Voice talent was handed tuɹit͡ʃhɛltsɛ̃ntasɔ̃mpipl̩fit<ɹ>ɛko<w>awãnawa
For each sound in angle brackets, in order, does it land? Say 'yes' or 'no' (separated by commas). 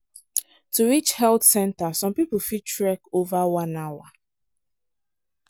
yes, no